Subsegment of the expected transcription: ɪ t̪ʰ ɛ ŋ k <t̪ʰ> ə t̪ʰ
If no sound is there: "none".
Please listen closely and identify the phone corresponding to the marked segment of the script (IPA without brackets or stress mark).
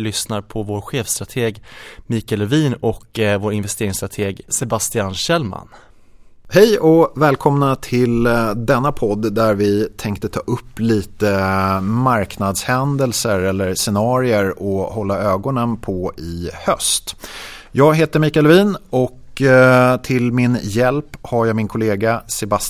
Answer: t̪